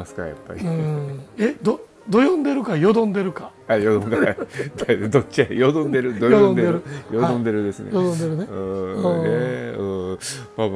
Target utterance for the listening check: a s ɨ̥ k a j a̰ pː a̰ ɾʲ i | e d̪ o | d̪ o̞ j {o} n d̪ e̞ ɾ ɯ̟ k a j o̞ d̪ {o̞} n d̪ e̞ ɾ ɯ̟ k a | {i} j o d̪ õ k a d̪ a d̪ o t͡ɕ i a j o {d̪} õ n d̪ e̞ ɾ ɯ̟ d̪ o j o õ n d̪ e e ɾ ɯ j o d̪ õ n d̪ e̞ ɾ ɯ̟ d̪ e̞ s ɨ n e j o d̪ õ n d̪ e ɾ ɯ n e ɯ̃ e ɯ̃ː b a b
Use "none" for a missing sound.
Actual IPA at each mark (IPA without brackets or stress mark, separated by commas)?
õ, õ̞, a, d̪